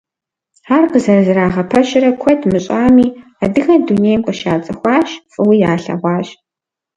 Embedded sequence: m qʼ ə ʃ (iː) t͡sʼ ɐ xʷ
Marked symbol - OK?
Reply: no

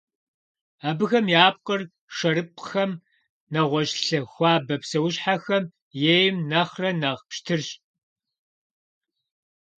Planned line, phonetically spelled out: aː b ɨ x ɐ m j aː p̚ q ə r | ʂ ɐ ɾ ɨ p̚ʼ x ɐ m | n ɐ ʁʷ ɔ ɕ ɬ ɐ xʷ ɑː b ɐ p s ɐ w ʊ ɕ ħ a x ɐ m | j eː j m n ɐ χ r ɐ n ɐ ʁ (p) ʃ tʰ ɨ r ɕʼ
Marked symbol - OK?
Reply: yes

